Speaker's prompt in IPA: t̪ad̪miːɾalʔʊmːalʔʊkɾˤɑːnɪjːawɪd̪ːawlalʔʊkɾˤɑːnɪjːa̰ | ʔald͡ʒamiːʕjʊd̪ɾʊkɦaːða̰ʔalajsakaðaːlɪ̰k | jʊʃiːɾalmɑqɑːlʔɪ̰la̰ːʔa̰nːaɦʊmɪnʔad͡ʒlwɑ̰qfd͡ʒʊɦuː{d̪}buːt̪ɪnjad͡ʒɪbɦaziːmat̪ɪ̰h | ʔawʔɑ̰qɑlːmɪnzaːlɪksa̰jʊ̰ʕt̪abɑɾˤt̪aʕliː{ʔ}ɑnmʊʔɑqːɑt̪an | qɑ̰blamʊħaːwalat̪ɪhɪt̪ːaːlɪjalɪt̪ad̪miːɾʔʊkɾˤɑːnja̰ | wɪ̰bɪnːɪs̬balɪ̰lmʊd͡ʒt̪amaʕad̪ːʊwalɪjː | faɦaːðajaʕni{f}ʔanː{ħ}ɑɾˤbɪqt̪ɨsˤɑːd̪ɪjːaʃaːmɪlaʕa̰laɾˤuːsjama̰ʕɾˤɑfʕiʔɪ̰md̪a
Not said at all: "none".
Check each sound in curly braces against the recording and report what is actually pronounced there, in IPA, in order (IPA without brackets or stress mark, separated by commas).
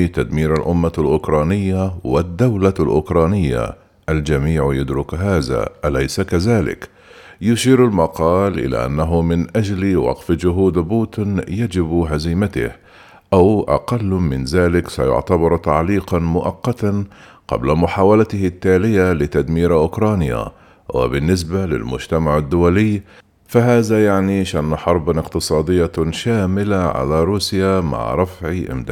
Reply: d̪, q, ʃ, ħ